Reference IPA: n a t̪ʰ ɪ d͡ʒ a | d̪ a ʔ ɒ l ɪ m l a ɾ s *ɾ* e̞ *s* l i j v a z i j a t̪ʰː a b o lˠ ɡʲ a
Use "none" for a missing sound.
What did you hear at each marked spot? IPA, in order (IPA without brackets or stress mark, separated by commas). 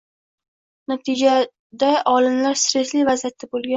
ɾ, s